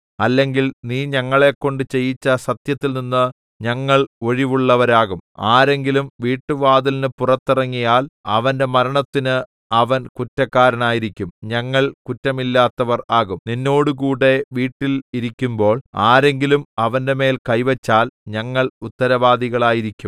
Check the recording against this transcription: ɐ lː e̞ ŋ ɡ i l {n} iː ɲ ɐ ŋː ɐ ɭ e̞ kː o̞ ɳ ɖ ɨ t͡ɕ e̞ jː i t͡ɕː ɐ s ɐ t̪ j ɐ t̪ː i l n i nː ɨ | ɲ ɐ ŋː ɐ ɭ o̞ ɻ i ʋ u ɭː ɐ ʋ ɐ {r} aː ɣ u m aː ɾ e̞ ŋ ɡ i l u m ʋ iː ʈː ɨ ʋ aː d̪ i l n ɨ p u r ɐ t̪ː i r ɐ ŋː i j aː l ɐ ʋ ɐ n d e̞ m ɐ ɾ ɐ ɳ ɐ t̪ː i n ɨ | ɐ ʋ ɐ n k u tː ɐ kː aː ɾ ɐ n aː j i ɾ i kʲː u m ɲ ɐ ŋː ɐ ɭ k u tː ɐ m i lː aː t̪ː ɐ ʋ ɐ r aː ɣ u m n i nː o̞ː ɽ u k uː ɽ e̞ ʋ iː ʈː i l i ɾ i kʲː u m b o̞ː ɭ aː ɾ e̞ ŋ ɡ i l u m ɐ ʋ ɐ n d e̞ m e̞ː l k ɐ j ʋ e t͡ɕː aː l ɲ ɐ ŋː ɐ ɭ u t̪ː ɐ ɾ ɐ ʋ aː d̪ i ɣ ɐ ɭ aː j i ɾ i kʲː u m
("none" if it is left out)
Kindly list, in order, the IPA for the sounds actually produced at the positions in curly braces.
n, ɾ

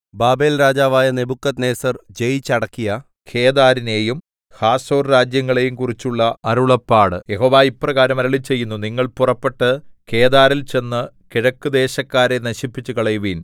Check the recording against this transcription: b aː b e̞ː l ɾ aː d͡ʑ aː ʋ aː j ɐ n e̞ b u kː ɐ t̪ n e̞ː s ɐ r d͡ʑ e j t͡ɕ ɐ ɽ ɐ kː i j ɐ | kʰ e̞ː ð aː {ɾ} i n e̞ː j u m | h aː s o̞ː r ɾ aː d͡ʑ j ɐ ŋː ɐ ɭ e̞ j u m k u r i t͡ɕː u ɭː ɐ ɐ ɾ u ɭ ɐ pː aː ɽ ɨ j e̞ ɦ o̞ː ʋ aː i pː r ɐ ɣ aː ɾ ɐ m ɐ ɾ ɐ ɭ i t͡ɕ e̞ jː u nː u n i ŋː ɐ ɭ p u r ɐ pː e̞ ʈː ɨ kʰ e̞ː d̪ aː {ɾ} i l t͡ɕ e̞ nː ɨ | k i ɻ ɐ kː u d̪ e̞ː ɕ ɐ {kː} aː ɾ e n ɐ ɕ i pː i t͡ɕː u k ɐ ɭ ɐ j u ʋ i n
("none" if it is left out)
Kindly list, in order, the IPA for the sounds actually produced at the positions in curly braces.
ɾ, ɾ, kː

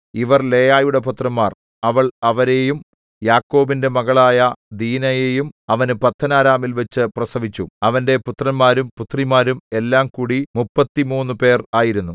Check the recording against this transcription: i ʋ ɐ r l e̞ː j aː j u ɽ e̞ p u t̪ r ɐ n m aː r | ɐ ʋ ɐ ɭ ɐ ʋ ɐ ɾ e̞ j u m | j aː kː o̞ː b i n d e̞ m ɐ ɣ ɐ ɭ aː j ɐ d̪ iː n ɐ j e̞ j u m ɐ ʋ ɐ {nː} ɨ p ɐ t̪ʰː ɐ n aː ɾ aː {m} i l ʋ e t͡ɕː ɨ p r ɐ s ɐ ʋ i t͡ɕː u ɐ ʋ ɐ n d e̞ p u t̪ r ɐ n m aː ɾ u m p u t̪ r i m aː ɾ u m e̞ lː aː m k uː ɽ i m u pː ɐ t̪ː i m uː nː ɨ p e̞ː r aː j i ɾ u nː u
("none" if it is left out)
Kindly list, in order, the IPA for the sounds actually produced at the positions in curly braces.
n, m

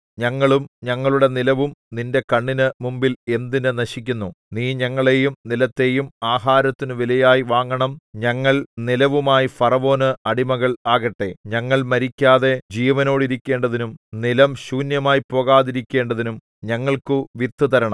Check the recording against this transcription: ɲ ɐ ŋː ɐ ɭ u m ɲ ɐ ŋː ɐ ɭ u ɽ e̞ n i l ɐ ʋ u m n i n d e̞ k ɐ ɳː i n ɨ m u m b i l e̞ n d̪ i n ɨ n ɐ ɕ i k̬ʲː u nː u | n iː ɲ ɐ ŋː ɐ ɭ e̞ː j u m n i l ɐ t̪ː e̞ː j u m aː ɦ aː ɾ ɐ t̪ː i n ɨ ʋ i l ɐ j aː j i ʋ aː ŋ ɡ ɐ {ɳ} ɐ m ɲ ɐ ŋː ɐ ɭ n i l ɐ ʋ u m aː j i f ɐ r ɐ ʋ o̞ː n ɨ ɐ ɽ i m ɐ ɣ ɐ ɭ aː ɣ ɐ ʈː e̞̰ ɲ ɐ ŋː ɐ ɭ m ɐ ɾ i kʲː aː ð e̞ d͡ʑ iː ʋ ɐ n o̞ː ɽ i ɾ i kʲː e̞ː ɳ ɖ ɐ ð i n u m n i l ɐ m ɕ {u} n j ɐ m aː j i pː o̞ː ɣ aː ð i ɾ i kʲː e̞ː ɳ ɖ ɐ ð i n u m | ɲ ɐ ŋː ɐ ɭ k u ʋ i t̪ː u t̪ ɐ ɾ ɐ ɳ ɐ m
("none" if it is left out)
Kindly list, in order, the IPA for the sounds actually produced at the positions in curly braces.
ɳ, uː

